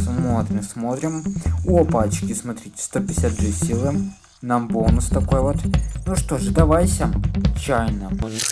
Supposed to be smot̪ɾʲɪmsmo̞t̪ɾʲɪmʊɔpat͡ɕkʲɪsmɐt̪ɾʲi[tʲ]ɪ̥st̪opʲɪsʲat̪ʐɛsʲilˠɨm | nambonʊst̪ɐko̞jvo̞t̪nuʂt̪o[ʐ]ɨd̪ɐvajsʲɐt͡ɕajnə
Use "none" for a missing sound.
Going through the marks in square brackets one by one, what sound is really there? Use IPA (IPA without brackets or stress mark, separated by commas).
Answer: tʲ, ʐ